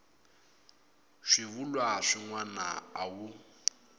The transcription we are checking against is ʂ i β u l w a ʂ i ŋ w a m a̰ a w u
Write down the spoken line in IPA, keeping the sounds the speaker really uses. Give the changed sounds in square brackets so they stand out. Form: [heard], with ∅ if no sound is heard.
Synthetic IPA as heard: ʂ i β u l w a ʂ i ŋ w a [n] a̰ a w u